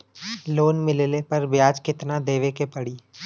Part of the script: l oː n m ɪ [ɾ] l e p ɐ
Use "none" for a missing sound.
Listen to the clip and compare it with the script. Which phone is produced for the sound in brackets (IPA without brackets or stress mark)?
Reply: l